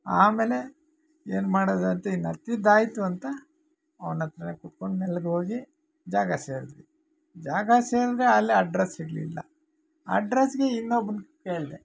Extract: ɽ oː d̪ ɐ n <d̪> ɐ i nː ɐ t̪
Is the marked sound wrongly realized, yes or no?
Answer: yes